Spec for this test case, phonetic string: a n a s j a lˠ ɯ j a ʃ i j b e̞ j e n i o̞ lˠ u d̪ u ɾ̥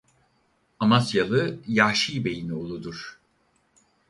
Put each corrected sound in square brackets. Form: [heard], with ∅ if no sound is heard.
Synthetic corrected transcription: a [m] a s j a lˠ ɯ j a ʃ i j b e̞ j [i] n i o̞ lˠ u d̪ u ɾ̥